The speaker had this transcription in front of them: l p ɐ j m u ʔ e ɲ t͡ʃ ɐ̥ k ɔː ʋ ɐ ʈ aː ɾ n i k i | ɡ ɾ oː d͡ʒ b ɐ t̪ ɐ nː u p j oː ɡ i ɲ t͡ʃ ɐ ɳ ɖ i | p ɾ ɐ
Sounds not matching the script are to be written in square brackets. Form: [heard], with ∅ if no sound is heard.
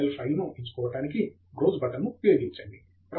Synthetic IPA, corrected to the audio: l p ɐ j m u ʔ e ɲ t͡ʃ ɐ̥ k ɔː ʋ ɐ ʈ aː [∅] n i k i | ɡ ɾ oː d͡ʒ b ɐ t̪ ɐ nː u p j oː ɡ i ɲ t͡ʃ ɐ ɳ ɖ i | p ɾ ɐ